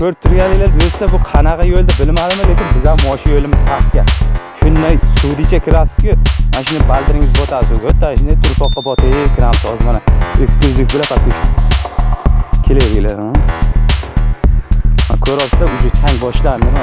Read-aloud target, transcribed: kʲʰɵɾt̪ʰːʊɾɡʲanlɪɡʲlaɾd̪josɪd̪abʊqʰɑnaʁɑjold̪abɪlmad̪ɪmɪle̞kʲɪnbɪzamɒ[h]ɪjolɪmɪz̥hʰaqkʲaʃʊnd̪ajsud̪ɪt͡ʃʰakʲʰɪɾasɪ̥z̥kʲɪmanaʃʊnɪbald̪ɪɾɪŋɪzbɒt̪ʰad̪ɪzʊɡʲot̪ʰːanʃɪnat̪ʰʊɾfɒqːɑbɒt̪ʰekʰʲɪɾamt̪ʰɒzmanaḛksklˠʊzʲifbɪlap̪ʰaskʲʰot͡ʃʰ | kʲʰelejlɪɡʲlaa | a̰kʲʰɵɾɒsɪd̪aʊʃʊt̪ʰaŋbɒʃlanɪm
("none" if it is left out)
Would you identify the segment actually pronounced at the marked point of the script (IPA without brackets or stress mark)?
ʃ